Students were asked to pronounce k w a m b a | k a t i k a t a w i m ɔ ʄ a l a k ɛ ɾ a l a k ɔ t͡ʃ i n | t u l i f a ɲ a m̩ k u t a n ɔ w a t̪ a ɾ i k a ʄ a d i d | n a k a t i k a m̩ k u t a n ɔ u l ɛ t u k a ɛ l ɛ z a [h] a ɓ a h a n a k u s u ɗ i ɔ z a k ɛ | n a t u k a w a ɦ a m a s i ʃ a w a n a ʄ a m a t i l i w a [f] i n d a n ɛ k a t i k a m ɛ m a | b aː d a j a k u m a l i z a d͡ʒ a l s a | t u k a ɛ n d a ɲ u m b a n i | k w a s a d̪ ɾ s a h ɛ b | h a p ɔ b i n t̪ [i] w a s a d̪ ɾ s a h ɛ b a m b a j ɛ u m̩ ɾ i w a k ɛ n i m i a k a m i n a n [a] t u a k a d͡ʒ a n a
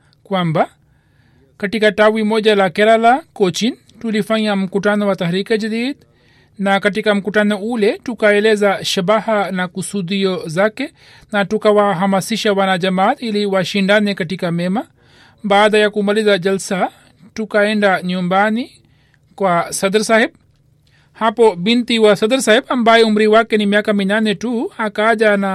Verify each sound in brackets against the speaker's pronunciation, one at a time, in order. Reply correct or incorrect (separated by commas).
incorrect, incorrect, correct, incorrect